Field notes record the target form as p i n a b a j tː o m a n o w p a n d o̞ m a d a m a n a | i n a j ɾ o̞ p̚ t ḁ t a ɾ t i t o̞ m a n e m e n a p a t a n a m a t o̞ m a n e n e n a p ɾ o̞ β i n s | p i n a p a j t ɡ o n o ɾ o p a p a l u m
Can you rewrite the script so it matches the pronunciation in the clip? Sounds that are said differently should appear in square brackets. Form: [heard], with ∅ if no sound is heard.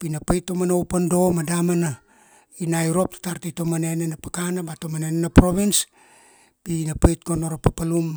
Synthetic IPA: p i n a [p] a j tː o m a n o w p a n d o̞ m a d a m a n a | i n a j ɾ o̞ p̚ t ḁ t a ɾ t i t o̞ m a n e [n] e n a p a [k] a n a [b] a t o̞ m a n e n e n a p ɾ o̞ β i n s | p i n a p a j t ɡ o n o ɾ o p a p a l u m